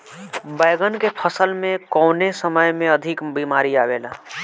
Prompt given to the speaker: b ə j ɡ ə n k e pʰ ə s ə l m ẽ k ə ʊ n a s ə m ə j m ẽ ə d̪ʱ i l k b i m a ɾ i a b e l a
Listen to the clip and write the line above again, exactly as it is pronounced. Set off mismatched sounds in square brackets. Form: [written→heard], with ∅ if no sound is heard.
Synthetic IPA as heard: b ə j ɡ ə n k e pʰ ə s ə l m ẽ k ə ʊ n [a→e] s ə m ə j m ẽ ə d̪ʱ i [l→∅] k b i m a ɾ i a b e l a